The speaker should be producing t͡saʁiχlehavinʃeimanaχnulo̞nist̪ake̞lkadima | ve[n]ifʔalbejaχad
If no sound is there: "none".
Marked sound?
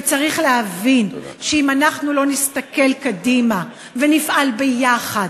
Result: n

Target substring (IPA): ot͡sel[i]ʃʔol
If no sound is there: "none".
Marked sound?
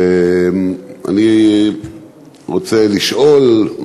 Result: i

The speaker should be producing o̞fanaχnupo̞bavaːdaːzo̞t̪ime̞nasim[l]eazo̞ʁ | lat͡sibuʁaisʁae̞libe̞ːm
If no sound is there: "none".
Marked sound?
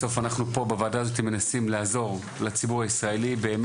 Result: l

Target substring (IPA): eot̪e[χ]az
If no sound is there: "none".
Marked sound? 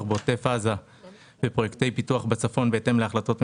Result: f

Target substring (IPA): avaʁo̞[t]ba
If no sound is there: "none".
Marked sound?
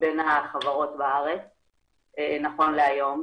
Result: t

